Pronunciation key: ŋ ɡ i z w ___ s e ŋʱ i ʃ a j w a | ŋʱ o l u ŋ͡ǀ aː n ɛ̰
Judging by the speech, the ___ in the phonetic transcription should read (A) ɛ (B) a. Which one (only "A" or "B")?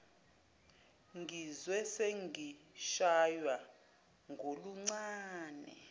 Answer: A